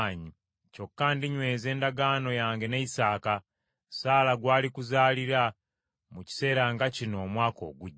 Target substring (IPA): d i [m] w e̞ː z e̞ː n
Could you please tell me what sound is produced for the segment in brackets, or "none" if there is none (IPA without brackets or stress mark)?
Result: ɲ